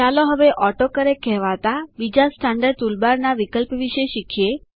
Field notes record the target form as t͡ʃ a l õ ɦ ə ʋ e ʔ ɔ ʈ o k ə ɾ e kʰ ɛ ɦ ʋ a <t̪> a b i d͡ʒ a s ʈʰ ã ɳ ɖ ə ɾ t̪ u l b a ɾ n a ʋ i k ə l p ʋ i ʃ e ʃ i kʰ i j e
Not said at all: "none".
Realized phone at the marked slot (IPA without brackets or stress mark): t̪